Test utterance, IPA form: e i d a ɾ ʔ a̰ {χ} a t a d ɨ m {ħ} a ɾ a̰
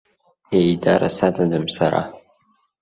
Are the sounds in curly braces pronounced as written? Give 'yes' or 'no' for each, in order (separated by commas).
no, no